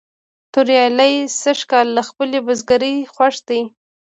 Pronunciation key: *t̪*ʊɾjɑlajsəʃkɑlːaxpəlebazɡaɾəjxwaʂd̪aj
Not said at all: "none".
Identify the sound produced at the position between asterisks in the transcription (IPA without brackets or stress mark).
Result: t̪